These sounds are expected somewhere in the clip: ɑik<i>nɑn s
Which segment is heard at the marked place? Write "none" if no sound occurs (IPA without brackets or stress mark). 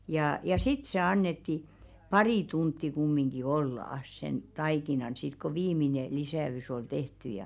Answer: i